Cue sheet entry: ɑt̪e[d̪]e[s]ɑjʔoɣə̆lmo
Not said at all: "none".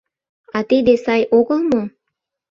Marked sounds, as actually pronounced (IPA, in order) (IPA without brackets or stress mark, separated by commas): d̪, s